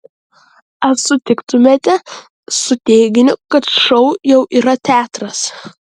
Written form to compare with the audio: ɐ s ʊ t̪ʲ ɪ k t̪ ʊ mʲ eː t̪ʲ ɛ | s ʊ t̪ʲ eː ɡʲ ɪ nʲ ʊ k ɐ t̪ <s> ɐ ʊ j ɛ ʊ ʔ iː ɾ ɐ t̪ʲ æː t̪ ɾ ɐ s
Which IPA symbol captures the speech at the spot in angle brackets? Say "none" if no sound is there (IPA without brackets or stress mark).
ʃ